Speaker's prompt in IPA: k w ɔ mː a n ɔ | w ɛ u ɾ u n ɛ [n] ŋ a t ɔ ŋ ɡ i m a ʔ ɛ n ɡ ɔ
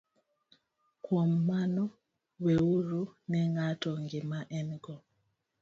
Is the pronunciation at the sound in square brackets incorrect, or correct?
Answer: incorrect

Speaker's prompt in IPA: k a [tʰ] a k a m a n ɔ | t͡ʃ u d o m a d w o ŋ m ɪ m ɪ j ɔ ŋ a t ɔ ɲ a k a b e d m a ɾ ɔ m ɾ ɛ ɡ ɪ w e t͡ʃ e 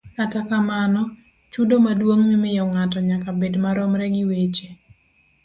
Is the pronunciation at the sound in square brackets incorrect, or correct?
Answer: incorrect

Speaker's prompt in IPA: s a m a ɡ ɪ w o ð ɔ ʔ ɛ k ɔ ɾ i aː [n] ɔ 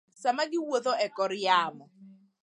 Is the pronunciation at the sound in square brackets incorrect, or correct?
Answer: incorrect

